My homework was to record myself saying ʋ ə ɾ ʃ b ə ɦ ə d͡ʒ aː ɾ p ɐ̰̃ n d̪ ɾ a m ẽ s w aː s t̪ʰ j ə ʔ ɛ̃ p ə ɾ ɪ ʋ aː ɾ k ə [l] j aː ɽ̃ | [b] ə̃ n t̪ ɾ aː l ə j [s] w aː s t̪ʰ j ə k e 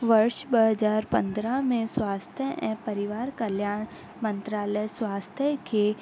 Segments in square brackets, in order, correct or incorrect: correct, incorrect, correct

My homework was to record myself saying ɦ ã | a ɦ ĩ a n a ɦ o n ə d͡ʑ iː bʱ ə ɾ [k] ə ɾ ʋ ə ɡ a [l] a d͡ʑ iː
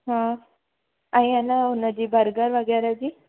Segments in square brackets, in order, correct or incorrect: incorrect, incorrect

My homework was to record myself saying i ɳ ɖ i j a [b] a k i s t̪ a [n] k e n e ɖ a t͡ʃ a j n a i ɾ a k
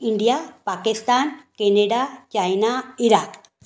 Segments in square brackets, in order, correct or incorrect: incorrect, correct

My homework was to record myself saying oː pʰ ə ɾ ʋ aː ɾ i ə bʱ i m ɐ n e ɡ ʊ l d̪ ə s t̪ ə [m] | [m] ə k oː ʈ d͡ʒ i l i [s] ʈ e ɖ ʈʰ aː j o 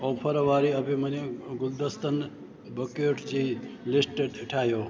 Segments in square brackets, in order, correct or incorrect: incorrect, incorrect, correct

